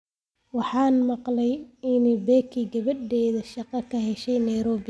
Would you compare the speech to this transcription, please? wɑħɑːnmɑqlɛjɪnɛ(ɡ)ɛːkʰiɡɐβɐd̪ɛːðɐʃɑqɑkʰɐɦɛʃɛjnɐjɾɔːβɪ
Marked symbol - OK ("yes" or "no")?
no